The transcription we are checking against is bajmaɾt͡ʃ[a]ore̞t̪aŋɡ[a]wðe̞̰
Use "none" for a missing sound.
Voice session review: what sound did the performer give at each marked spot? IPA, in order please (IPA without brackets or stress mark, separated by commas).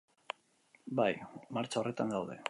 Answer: a, a